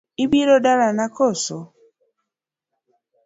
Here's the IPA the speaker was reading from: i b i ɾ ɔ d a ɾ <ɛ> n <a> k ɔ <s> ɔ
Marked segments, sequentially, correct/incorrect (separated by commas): incorrect, correct, correct